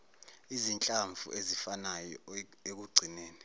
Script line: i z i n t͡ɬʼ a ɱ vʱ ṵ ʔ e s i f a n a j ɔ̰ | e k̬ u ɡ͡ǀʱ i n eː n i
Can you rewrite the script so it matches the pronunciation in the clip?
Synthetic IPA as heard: i z i n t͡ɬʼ a ɱ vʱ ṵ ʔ e z i f a n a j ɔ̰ | e k̬ u ɡ͡ǀʱ i n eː n i